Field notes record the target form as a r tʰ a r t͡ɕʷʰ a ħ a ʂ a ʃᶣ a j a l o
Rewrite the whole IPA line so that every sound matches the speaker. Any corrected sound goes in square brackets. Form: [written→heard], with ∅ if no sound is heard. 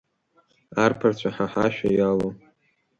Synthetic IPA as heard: a r [tʰ→pʰ] a r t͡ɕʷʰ a ħ a [ʂ→ħ] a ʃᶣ a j a l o

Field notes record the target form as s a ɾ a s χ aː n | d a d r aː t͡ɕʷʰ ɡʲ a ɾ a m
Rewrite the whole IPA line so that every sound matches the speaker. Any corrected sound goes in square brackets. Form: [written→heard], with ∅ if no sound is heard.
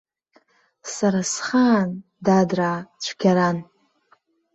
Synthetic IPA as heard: s a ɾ a s χ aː n | d a d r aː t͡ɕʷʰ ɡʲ a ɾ a [m→n]

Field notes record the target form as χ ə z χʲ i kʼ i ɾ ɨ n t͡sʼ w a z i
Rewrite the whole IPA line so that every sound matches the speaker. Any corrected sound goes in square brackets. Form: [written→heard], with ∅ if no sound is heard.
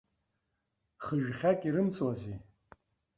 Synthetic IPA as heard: χ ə [z→ʒ] χʲ [i→a] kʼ i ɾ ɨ [n→m] t͡sʼ w a z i

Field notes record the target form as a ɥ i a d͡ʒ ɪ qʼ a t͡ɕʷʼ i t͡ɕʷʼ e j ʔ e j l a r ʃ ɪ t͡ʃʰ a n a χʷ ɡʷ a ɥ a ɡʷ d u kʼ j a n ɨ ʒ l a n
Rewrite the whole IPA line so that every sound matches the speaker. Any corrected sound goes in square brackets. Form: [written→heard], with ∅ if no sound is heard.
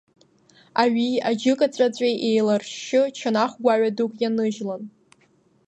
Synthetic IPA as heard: a ɥ i a d͡ʒ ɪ [qʼ→kʼ] a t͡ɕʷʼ [i→a] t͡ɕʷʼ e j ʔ e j l a r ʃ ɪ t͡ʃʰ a n a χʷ ɡʷ a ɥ a [ɡʷ→∅] d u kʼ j a n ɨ ʒ l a n

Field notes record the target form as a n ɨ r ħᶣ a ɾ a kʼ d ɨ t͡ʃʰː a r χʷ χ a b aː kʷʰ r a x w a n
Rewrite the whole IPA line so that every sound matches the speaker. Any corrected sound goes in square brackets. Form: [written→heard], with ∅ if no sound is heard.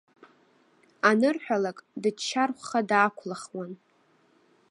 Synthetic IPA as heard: a n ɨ r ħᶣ a [ɾ→l] a kʼ d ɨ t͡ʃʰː a r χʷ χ a [b→d] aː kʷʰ [r→l] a [x→χ] w a n

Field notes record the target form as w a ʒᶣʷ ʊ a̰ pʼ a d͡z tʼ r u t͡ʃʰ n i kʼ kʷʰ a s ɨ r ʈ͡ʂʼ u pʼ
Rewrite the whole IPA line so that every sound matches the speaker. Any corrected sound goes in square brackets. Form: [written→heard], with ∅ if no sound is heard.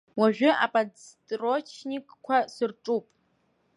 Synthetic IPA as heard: w a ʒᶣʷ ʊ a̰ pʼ a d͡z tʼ r [u→o] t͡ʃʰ n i kʼ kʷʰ a s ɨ r ʈ͡ʂʼ u pʼ

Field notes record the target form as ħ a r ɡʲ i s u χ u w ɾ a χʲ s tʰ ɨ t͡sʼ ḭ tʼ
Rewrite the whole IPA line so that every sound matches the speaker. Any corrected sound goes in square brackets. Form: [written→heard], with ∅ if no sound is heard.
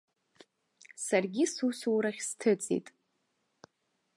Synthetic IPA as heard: [ħ→s] a r ɡʲ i s u [χ→s] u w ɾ a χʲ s tʰ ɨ t͡sʼ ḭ tʼ

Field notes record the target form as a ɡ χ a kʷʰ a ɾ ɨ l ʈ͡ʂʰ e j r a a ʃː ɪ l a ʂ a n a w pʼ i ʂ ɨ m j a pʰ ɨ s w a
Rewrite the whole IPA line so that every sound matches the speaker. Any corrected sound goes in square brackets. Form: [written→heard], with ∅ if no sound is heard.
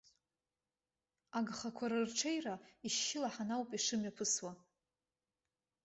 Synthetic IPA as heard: a ɡ χ a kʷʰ a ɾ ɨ [l→r] ʈ͡ʂʰ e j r a [a→i] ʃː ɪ l a [ʂ→ħ] a n a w pʼ i ʂ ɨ m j a pʰ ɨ s w a

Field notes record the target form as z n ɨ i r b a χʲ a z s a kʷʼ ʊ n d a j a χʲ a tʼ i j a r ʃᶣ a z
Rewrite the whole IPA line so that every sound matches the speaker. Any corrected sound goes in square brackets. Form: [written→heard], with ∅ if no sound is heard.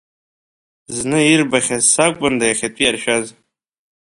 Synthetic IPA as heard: z n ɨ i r b a χʲ a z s a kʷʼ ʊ n d a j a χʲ a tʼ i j a r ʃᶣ a z

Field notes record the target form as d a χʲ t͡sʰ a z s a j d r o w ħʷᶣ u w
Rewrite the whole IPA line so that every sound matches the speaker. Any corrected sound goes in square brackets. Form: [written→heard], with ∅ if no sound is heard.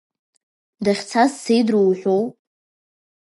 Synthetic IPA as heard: d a χʲ t͡sʰ a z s [a→e] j d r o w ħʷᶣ [u→o] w

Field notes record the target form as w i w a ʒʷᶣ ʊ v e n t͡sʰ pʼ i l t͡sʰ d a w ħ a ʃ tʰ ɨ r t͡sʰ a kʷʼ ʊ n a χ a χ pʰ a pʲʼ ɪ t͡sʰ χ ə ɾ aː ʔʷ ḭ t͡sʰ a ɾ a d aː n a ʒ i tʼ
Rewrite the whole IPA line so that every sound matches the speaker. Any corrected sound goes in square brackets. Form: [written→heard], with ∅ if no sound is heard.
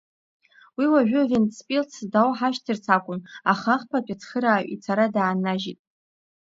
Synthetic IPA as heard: w i w a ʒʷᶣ ʊ v e n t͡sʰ pʼ i l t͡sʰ d a w ħ a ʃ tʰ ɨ r t͡sʰ a kʷʼ ʊ n a χ a χ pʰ a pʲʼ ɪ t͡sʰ χ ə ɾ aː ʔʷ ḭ t͡sʰ a ɾ a d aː n a ʒ i tʼ

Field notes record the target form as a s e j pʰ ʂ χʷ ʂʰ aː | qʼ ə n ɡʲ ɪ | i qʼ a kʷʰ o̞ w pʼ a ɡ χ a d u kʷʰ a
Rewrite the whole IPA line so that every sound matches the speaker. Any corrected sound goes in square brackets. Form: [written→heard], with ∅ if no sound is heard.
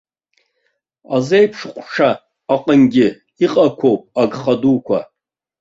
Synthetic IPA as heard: a [s→z] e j pʰ ʂ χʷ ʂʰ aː | qʼ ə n ɡʲ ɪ | i qʼ a kʷʰ o̞ w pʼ a ɡ χ a d u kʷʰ a

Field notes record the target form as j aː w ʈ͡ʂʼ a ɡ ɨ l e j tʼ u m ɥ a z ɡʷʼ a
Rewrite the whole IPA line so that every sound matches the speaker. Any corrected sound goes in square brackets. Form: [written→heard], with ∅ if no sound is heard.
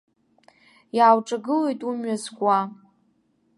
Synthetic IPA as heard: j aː w ʈ͡ʂʼ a ɡ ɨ l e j tʼ u m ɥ a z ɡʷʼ a

